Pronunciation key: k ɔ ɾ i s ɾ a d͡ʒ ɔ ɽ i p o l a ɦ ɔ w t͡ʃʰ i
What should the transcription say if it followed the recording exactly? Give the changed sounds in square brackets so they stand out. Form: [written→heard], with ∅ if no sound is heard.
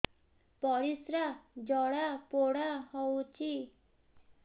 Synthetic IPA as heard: [k→p] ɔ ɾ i s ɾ a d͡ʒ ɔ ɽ [i→a] p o [l→ɽ] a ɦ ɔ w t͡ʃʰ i